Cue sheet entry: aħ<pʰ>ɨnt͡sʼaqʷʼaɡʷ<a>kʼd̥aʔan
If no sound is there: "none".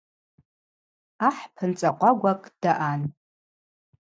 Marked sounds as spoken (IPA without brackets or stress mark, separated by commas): pʰ, a